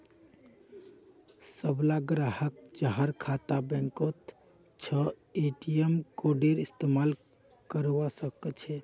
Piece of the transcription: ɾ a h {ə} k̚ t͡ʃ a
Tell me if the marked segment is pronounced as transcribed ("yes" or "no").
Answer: yes